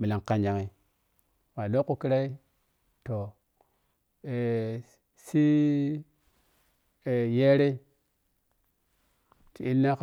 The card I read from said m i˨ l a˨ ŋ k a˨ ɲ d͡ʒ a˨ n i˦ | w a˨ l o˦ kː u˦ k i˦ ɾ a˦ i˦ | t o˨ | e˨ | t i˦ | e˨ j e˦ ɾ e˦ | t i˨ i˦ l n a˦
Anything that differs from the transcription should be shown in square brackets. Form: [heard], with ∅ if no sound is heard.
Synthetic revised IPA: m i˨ l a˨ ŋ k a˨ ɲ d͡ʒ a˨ [ŋ] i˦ | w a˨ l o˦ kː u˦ k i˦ ɾ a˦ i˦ | t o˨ | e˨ | [s] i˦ | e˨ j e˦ ɾ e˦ | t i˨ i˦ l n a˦